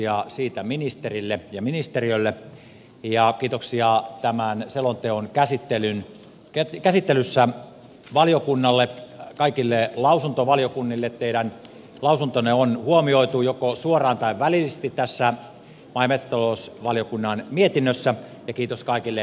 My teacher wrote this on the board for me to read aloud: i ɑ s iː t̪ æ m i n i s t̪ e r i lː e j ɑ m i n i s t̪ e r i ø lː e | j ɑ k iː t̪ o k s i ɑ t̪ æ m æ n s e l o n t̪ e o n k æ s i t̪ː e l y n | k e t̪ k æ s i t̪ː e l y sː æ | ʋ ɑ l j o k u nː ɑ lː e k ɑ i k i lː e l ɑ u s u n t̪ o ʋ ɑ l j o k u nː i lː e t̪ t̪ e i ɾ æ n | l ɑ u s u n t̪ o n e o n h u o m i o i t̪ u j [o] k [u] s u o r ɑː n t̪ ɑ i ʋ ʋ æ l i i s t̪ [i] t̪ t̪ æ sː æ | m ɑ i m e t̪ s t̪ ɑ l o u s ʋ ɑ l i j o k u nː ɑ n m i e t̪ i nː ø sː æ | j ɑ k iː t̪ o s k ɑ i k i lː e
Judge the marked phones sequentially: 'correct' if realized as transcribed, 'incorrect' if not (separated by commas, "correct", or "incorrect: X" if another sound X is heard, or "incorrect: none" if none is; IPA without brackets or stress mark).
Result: correct, incorrect: o, correct